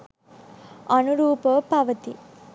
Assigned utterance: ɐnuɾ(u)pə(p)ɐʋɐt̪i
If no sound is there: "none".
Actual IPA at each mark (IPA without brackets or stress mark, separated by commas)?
uː, p